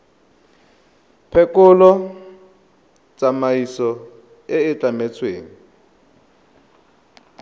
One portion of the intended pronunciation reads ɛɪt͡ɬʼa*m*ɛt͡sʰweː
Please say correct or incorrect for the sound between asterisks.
correct